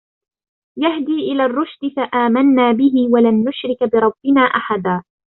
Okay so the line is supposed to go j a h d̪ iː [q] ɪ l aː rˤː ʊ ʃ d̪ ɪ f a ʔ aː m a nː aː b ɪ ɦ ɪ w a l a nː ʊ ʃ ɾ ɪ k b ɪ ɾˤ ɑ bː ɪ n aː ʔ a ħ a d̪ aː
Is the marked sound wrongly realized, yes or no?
yes